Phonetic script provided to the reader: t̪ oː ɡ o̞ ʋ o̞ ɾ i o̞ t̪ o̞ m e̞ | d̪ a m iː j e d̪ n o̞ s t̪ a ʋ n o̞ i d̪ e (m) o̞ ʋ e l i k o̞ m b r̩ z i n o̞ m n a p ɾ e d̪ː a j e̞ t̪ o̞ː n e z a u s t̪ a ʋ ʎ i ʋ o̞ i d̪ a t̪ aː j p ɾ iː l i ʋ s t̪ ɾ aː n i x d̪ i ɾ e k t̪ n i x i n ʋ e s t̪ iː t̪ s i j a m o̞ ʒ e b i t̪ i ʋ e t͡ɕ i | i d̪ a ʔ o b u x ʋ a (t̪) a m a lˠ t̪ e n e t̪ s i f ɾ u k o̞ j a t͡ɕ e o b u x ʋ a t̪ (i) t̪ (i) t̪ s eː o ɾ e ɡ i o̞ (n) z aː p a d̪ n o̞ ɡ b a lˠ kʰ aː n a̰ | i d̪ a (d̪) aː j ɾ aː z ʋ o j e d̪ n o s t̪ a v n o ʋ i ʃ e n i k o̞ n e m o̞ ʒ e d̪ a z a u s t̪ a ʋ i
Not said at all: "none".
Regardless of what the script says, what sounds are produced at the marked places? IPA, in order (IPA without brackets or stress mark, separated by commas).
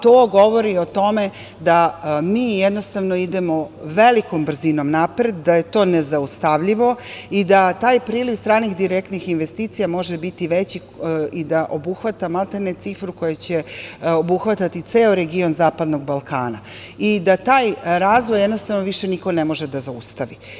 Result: m, t̪, a, i, n, t̪